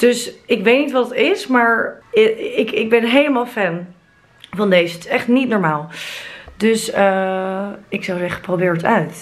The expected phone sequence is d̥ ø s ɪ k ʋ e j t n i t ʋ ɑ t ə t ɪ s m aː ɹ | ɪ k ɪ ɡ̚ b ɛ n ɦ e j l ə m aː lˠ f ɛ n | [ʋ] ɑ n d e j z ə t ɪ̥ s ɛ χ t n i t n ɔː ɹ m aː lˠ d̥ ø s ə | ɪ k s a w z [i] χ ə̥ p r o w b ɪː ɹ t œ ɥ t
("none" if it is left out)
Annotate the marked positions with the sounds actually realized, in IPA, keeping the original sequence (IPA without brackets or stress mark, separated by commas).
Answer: v, ɛ